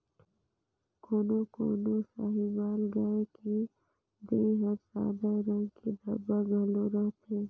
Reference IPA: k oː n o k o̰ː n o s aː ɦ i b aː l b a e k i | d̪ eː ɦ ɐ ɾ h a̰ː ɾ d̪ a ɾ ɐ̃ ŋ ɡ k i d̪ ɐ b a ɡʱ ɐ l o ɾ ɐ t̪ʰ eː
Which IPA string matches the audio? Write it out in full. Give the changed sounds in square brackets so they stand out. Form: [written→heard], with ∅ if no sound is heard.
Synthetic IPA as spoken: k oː n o k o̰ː n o s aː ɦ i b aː l [b→ɡ] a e k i | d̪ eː ɦ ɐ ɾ [h→s] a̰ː [ɾ→∅] d̪ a ɾ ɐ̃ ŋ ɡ k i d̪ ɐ b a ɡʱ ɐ l o ɾ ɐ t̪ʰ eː